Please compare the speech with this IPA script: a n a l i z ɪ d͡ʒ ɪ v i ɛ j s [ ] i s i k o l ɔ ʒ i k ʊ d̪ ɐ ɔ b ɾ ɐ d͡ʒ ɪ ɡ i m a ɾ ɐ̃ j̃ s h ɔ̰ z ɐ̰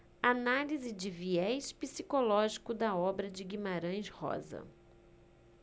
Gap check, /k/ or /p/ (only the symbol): p